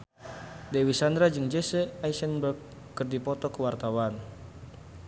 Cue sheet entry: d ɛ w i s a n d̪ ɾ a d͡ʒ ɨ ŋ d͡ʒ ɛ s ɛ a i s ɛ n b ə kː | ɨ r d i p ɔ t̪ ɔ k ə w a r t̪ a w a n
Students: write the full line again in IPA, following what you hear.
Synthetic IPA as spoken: d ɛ w i s a n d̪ ɾ a d͡ʒ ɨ ŋ d͡ʒ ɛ s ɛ a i s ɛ n b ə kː | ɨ r d i p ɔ t̪ ɔ k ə w a r t̪ a w a n